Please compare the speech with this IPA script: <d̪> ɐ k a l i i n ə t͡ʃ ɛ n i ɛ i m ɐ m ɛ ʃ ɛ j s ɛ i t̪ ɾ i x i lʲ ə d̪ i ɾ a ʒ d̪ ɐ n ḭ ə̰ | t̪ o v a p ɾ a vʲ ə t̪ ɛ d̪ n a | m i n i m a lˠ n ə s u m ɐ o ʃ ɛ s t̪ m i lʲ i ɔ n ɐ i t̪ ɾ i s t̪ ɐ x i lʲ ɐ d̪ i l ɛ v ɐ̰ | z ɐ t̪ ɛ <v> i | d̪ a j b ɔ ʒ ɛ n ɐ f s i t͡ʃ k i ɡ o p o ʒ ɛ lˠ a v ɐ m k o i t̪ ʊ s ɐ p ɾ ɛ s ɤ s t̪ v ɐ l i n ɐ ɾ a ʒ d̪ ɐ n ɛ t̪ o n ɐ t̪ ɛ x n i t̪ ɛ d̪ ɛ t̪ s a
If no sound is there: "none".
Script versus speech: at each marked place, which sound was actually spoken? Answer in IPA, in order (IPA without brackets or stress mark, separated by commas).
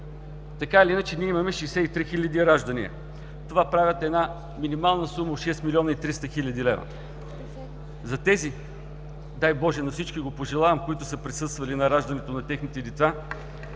t̪, z